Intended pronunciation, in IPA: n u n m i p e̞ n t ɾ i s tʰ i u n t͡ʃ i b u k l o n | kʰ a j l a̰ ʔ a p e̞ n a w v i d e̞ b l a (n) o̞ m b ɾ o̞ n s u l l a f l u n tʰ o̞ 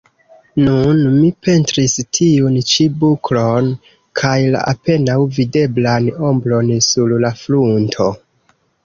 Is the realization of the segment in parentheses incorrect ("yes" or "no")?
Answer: no